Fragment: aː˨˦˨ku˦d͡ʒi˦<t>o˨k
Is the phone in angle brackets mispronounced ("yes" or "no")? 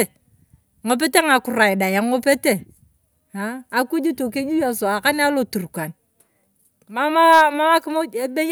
no